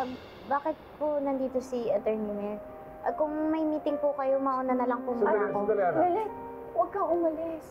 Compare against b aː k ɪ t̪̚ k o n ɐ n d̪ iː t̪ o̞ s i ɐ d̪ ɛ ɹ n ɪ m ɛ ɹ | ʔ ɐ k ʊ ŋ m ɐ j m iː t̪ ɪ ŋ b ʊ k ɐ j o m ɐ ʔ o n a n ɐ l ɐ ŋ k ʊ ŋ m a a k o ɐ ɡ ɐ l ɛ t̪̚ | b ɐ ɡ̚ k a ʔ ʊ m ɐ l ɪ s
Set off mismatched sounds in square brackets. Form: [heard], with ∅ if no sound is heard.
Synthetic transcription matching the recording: b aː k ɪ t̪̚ [p] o n ɐ n d̪ iː t̪ o̞ s i ɐ [t̪] ɛ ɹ n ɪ m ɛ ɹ | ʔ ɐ k ʊ ŋ m ɐ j m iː t̪ ɪ ŋ [p] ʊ k ɐ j o m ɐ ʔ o n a n ɐ l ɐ ŋ [p] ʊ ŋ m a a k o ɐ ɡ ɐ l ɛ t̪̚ | [w] ɐ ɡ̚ k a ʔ ʊ m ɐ l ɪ s